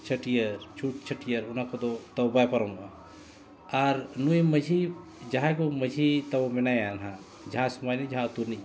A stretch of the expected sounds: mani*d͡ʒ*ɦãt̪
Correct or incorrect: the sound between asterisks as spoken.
correct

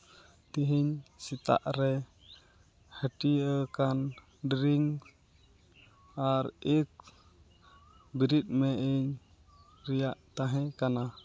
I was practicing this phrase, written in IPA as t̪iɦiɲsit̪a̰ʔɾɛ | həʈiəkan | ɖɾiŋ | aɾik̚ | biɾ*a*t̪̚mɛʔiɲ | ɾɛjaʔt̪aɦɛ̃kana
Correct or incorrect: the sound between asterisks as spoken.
incorrect: i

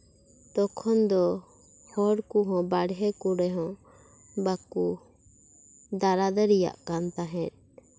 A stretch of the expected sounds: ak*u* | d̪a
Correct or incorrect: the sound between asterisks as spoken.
correct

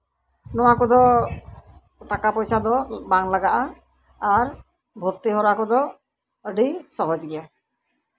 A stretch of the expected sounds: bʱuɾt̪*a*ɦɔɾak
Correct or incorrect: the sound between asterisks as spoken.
incorrect: i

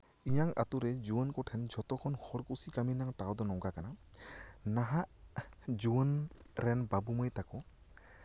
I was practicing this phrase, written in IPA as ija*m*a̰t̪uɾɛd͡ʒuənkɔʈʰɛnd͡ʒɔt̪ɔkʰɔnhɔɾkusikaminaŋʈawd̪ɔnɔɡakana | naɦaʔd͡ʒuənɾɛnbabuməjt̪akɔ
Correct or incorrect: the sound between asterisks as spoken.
incorrect: ŋ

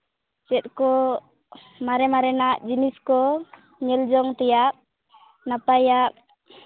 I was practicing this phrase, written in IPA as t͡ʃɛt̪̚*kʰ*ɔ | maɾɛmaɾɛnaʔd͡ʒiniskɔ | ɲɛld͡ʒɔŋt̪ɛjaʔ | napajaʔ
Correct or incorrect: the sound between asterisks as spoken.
incorrect: k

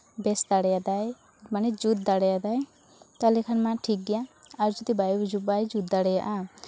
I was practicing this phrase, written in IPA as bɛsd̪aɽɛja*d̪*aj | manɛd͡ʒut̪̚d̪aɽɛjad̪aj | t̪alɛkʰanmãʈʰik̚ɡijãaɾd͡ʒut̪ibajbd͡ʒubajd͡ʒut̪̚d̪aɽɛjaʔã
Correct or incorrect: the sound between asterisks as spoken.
correct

